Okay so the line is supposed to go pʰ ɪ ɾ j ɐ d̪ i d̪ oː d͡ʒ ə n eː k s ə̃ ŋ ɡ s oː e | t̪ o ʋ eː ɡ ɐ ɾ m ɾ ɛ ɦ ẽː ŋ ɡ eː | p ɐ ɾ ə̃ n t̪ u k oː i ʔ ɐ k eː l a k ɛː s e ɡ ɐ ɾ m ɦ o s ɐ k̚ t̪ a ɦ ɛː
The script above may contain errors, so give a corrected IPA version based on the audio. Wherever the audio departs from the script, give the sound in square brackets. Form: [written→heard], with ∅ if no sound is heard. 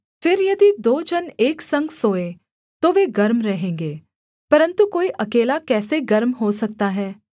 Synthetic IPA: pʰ ɪ ɾ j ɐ d̪ i d̪ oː d͡ʒ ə n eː k s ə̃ ŋ ɡ s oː e | t̪ o ʋ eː ɡ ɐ ɾ m ɾ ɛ ɦ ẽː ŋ ɡ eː | p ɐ ɾ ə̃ n t̪ u k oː i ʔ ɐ k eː l a k ɛː s e ɡ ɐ ɾ m ɦ o s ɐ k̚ t̪ a ɦ ɛː